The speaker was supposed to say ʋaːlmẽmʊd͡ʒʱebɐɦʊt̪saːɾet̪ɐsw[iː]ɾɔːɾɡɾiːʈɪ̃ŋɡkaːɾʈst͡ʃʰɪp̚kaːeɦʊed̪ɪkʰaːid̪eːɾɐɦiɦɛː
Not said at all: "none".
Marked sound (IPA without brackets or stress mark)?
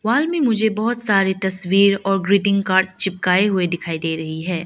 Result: iː